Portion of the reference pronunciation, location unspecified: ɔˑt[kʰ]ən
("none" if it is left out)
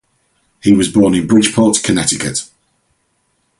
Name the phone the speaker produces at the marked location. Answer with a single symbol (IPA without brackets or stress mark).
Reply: kʰ